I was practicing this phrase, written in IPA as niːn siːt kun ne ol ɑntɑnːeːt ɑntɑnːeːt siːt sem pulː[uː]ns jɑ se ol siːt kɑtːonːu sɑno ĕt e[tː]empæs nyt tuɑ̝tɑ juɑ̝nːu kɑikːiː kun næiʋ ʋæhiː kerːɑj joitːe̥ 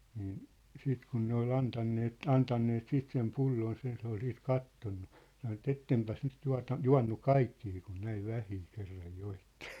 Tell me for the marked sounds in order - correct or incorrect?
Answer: incorrect, correct

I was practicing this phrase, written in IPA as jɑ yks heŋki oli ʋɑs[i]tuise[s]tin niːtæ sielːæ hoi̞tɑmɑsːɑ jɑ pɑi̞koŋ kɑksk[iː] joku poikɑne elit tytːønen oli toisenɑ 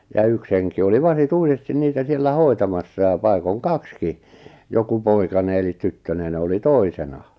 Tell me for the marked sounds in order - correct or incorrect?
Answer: correct, correct, incorrect

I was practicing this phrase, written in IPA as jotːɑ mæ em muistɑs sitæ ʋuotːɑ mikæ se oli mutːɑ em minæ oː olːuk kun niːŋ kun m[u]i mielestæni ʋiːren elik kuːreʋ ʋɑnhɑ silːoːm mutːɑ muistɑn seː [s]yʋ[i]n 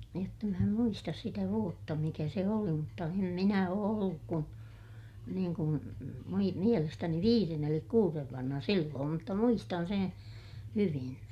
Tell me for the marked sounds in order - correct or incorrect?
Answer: correct, incorrect, correct

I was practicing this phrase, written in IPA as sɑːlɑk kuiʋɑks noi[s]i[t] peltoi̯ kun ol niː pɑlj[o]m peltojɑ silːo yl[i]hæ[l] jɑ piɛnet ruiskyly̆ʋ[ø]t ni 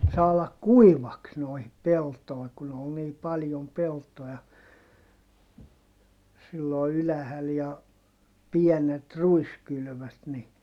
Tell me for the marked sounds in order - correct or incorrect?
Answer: incorrect, incorrect, correct, incorrect, correct, correct

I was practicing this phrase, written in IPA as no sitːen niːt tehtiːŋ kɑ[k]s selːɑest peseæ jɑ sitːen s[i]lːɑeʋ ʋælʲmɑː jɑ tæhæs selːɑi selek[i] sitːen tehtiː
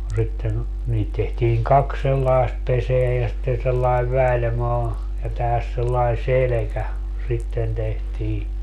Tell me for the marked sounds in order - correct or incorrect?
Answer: correct, incorrect, incorrect

